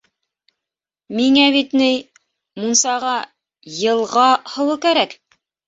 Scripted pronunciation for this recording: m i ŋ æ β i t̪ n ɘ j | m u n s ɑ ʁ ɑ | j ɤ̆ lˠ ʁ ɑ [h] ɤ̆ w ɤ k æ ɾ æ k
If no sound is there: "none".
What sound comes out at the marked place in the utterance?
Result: h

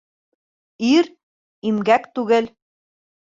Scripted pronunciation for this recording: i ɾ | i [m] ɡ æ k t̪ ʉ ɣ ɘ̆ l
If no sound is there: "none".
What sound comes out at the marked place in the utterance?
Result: m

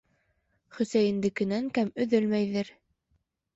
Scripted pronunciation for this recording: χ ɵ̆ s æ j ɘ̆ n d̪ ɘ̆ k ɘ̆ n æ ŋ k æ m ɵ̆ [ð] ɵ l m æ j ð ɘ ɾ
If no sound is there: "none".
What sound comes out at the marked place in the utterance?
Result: ð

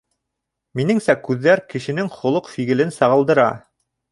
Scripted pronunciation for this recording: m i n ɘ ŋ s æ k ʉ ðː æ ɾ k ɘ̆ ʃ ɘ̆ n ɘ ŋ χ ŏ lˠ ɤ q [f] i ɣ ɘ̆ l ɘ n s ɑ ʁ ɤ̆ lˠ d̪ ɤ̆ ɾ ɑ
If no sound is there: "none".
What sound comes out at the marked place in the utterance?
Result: f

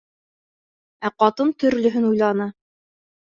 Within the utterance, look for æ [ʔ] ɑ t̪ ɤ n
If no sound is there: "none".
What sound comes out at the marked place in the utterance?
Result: q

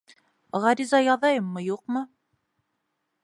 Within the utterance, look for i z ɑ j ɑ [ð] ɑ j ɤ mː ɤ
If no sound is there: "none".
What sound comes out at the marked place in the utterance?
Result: ð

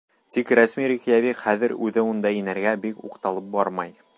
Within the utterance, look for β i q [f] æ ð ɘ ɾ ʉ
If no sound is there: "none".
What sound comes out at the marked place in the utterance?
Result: χ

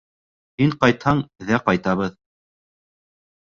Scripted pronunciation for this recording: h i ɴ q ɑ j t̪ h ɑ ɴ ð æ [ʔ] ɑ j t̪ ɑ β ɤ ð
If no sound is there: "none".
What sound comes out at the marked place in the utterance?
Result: q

